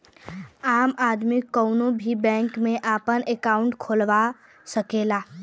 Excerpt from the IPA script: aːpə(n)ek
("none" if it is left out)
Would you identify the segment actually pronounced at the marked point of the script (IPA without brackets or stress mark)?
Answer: n